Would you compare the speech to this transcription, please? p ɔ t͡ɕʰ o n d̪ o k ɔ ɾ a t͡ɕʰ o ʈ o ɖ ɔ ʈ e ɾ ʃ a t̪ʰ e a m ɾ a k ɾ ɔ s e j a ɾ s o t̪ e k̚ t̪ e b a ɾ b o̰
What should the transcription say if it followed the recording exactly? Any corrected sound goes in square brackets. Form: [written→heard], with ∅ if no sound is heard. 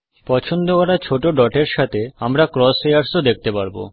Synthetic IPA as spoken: p ɔ t͡ɕʰ o n d̪ o k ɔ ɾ a t͡ɕʰ o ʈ o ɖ ɔ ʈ e ɾ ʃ a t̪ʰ e a m ɾ a k ɾ ɔ s e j a ɾ s o [t̪→d̪] e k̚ t̪ e [b→p] a ɾ b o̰

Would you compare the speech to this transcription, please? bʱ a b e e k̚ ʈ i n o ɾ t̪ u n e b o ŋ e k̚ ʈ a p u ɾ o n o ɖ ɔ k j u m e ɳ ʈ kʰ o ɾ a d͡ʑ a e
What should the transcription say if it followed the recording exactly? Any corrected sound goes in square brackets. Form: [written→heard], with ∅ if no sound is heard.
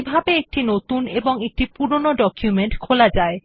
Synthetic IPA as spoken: bʱ a b e e k̚ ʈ i n o [ɾ→∅] t̪ u n e b o ŋ e k̚ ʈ [a→i] p u ɾ o n o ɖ ɔ k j u m e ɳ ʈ kʰ o [ɾ→l] a d͡ʑ a e

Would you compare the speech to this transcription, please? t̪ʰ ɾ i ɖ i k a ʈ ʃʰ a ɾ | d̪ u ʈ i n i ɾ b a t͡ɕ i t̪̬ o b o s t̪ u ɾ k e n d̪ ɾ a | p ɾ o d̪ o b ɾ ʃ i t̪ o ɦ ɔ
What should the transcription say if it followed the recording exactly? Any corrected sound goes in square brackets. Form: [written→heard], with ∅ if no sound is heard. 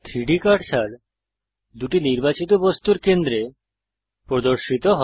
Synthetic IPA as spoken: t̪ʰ ɾ i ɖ i k a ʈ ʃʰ a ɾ | d̪ u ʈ i n i ɾ b a t͡ɕ i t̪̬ o b o s t̪ u ɾ k e n d̪ ɾ [a→e] | p ɾ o d̪ o [b→∅] ɾ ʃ i t̪ o ɦ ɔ

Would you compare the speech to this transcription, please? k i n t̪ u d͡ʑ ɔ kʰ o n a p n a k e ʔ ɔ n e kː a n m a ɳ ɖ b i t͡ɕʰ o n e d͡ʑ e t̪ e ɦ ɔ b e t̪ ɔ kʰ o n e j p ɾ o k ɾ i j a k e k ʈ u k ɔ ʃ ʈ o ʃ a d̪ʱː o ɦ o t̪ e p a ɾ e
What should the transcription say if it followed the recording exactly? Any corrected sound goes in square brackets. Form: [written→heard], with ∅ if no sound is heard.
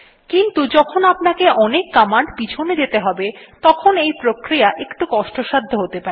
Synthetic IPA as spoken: k i n t̪ u d͡ʑ ɔ kʰ o n a p n a k e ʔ ɔ n e kː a [n→∅] m a ɳ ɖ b i t͡ɕʰ o n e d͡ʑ e t̪ e ɦ ɔ b e t̪ ɔ kʰ o n e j p ɾ o k ɾ i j a [k→ʔ] e k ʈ u k ɔ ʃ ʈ o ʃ a d̪ʱː o ɦ o t̪ e p a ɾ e

